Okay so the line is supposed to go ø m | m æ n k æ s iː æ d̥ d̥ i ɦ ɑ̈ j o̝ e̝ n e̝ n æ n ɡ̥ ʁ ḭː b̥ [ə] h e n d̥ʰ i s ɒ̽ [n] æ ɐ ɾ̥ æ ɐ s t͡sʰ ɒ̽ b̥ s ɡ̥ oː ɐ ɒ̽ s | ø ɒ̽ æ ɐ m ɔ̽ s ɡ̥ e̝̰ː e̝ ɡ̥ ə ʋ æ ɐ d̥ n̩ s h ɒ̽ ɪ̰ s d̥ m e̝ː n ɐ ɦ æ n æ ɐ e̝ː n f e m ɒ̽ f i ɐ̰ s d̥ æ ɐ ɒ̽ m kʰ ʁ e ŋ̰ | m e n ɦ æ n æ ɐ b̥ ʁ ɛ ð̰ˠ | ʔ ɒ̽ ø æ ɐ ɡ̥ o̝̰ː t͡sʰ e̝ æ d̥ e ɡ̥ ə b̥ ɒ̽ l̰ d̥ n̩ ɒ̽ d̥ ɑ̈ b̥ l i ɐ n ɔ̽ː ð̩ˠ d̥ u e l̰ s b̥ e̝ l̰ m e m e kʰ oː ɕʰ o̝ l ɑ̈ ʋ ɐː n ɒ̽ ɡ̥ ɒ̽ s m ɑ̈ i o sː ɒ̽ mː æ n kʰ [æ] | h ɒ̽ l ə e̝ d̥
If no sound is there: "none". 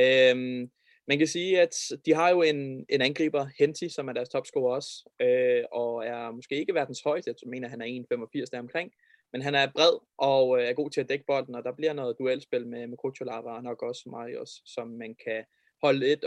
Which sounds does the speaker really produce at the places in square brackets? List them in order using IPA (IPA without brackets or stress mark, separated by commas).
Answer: ɐ, m, æ